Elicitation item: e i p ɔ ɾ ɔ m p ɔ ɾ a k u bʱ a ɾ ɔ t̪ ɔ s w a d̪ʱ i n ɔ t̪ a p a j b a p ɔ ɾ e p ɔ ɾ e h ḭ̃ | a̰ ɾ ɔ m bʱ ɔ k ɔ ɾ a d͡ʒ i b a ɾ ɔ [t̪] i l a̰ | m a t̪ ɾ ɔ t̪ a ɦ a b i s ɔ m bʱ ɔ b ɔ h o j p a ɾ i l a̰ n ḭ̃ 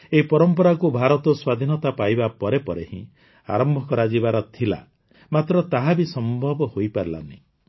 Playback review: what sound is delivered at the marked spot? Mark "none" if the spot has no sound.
t̪ʰ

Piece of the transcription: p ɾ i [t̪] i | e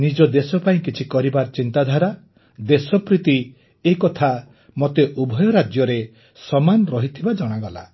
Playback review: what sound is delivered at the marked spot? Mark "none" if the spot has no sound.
t̪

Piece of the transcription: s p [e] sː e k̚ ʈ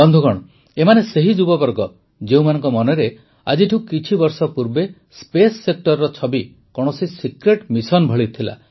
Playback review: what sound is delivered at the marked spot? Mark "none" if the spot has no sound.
e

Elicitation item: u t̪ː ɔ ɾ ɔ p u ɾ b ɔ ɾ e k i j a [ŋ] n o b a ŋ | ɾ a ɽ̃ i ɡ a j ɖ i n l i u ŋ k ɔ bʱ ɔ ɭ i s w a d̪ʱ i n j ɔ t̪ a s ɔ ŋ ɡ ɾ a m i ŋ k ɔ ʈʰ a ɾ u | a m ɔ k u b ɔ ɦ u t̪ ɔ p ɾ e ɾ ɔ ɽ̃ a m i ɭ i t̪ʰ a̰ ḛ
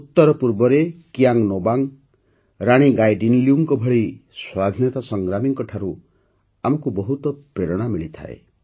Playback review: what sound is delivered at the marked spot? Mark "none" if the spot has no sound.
ŋ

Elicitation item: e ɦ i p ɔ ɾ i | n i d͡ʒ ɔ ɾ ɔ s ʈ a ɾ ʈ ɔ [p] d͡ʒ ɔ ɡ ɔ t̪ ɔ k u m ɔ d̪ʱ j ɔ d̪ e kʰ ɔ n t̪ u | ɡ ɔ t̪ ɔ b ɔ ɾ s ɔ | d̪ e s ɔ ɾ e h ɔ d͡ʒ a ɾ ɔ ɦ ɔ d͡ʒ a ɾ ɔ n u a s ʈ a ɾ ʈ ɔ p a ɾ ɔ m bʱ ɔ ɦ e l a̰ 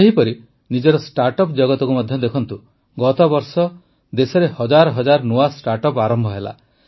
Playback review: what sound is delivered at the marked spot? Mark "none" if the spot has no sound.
p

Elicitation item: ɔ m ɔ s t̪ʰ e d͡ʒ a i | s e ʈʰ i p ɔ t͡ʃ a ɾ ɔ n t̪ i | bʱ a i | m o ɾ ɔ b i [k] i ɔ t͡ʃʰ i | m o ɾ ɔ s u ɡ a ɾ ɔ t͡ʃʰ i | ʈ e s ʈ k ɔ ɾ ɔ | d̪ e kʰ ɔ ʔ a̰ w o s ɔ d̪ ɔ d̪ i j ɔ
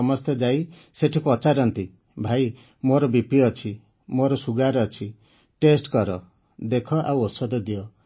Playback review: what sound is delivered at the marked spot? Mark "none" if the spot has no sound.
p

